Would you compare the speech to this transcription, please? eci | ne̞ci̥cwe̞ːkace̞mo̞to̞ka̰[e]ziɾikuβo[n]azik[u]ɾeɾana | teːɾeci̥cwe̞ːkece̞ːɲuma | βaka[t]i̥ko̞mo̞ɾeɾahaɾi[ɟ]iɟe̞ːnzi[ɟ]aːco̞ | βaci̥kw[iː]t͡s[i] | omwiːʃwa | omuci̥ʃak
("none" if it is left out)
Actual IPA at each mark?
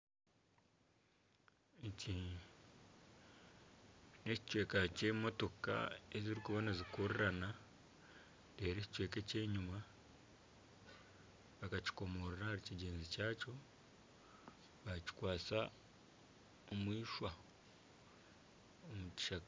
e, n, o, c, c, c, aː, a

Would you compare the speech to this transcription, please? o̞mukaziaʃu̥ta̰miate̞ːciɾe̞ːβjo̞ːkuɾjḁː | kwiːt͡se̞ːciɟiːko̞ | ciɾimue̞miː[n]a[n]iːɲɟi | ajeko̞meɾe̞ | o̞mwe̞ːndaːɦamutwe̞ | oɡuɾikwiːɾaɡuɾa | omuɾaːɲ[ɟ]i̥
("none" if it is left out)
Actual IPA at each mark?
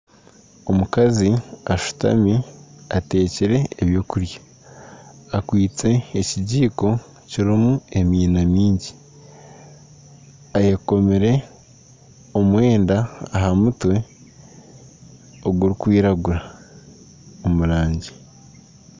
n, m, ɟ

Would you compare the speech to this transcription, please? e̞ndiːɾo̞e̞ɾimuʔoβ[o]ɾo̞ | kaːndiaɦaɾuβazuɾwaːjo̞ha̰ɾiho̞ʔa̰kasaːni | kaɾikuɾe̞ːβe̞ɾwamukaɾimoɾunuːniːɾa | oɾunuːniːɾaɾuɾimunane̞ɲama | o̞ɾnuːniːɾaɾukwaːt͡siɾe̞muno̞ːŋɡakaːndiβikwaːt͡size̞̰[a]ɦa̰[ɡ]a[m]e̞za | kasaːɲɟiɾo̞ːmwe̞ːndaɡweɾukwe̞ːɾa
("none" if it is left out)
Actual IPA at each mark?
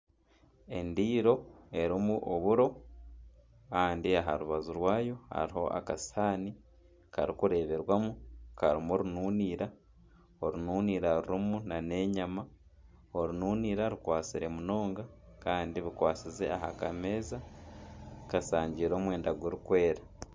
u, a, k, m

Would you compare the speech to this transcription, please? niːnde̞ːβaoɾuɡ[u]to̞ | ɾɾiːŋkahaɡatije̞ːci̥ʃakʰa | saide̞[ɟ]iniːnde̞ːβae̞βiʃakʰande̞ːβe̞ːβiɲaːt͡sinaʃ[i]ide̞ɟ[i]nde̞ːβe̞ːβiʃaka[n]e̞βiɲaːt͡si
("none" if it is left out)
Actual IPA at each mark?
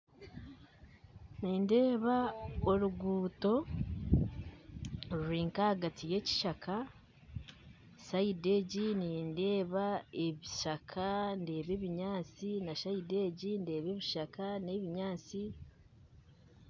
uː, ɟ, a, i, n

